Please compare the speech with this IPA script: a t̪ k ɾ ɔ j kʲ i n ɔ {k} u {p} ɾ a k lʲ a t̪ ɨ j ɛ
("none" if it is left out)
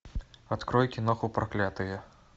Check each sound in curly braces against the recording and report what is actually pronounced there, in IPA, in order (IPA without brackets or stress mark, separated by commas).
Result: x, p